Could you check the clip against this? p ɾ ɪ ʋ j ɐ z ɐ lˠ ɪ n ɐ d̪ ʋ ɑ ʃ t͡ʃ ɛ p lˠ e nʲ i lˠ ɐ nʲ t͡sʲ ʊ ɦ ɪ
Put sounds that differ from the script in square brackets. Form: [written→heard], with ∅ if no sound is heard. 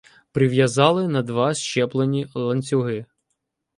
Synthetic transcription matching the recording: p ɾ ɪ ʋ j ɐ z [ɐ→ɑ] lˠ ɪ n ɐ d̪ ʋ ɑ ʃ t͡ʃ ɛ p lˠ e nʲ i lˠ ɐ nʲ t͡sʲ ʊ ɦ ɪ